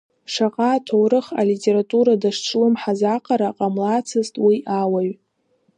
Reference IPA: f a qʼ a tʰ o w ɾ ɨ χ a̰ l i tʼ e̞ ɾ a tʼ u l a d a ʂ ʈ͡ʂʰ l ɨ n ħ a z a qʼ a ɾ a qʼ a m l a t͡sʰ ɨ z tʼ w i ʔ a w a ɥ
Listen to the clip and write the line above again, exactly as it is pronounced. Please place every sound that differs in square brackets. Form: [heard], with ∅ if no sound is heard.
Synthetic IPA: [ʂ] a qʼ a tʰ o w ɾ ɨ χ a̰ l i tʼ e̞ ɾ a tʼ u [ɾ] a d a ʂ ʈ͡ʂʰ l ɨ [m] ħ a z a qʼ a ɾ a qʼ a m l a t͡sʰ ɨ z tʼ w i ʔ a w a ɥ